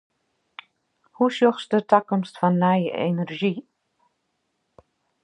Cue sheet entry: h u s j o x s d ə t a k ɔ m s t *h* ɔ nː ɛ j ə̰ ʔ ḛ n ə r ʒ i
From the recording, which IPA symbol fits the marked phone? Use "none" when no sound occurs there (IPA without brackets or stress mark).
f